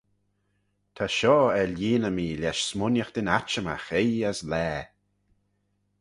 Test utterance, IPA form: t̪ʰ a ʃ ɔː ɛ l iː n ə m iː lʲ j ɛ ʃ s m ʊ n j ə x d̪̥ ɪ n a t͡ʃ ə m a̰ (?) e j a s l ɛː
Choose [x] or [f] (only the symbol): x